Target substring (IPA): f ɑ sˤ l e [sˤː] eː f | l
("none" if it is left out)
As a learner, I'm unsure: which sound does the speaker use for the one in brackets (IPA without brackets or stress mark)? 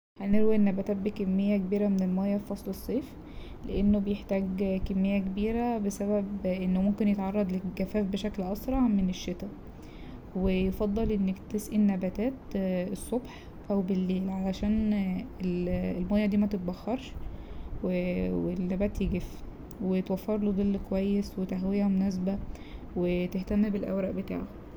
sˤː